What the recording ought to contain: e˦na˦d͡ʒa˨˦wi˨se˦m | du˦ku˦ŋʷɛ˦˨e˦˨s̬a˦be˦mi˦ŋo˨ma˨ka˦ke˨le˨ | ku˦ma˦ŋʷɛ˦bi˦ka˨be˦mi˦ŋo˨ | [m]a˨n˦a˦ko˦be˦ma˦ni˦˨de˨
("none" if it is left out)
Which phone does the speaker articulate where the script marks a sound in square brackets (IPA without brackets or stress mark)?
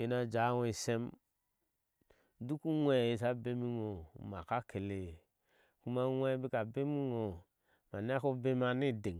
m